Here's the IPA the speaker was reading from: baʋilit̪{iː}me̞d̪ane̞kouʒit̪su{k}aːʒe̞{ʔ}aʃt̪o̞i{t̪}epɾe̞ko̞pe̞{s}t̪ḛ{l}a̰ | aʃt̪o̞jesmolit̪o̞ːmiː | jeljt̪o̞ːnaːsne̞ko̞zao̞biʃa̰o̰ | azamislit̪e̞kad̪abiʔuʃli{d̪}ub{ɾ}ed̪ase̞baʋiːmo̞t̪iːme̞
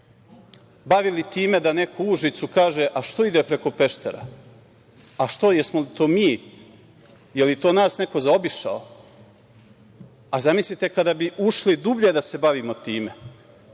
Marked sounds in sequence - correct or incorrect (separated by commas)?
correct, correct, correct, incorrect, incorrect, incorrect, correct, incorrect